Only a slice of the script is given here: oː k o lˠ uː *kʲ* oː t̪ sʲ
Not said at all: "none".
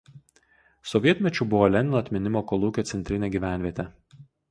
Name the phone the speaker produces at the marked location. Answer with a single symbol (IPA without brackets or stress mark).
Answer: kʲ